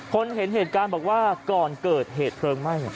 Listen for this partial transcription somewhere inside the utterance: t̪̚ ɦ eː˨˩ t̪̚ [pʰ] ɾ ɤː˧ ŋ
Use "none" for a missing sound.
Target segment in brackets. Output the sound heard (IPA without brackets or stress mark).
pʰ